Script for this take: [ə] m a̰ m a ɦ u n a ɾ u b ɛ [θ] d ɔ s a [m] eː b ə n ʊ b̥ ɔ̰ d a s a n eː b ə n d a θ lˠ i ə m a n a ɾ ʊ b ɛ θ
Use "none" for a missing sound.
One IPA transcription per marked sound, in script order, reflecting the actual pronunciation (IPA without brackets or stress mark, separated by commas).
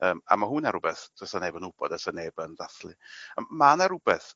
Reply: əː, θ, n